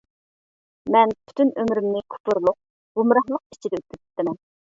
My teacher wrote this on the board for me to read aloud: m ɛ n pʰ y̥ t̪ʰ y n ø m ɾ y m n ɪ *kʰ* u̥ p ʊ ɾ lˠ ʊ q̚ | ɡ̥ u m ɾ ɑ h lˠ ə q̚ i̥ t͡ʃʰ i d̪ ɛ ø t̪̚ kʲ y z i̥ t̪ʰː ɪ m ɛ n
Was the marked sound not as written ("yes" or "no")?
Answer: no